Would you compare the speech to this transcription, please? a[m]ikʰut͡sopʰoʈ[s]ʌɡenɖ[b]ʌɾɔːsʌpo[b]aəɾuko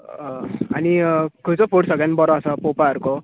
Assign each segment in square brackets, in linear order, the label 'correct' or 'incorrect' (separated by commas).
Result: incorrect, correct, correct, incorrect